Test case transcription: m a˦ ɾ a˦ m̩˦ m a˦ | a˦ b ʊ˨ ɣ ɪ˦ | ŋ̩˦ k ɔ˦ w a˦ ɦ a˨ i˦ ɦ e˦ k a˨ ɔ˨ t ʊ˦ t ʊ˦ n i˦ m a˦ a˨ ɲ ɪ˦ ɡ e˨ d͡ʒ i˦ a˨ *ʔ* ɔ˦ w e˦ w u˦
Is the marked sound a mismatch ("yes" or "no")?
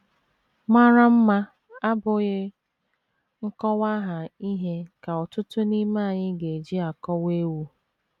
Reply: yes